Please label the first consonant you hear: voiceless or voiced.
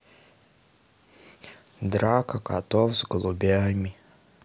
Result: voiced